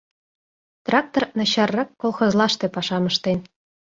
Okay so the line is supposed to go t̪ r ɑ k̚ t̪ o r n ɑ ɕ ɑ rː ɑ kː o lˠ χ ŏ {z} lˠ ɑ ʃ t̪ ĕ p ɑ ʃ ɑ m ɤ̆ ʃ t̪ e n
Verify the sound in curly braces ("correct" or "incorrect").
correct